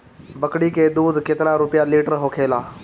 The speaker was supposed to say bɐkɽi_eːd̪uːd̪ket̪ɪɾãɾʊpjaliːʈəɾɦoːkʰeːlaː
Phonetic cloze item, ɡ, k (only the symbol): k